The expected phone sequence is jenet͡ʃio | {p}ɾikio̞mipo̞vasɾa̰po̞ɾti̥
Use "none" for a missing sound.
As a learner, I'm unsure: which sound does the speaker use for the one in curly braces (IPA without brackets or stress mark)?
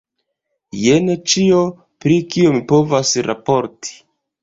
p